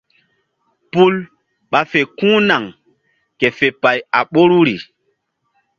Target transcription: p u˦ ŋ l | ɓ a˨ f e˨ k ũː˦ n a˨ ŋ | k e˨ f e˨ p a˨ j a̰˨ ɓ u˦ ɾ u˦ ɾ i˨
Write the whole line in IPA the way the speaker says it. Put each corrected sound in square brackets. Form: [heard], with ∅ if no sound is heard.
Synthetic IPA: p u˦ [∅] l | ɓ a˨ f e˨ k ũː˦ n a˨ ŋ | k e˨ f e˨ p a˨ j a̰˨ ɓ [o˦] ɾ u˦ ɾ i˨